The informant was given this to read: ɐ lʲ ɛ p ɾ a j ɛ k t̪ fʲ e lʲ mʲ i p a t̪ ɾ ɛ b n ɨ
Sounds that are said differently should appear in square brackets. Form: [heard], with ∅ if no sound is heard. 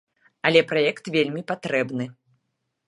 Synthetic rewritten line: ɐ lʲ ɛ p ɾ a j ɛ k t̪ [vʲ] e lʲ mʲ i p a t̪ ɾ ɛ b n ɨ